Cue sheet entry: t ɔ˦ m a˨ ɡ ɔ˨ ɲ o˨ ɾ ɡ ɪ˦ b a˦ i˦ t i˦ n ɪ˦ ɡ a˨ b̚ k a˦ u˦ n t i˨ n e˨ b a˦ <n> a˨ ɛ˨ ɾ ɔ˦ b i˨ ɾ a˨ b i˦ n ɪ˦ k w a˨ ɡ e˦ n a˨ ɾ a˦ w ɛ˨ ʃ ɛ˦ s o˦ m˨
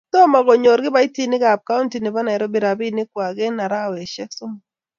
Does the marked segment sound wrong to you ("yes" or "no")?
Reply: no